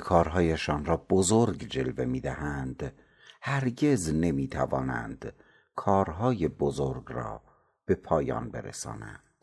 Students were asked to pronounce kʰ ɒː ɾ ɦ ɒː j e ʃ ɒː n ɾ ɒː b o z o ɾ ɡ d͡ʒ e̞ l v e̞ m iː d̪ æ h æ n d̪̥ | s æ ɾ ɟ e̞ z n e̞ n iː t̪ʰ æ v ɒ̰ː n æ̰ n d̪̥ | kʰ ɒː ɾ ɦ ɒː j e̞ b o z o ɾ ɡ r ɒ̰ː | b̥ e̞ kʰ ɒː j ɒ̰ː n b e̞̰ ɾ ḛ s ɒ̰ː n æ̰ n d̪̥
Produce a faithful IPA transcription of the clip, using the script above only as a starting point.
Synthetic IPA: kʰ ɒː ɾ ɦ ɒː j e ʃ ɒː n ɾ ɒː b o z o ɾ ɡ d͡ʒ e̞ l v e̞ m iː d̪ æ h æ n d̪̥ | h æ ɾ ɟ e̞ z n e̞ m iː t̪ʰ æ v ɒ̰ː n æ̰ n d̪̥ | kʰ ɒː ɾ ɦ ɒː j e̞ b o z o ɾ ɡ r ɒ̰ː | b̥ e̞ pʰ ɒː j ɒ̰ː n b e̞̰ ɾ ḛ s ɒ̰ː n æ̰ n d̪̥